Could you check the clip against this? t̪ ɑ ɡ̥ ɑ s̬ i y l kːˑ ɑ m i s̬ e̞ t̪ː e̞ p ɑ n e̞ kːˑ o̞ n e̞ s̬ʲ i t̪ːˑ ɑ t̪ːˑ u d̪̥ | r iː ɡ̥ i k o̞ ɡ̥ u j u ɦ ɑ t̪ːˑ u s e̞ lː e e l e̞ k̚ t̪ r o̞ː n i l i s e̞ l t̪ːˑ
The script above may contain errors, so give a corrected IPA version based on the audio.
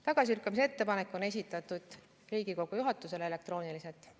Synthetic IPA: t̪ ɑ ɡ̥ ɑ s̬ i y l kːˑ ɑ m i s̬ e̞ t̪ː e̞ p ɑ n e̞ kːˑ o̞ n e̞ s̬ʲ i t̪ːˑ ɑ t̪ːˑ u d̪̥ | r iː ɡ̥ i k o̞ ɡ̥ u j u ɦ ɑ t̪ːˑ u s e̞ l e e l e̞ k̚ t̪ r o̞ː n i l i s e̞ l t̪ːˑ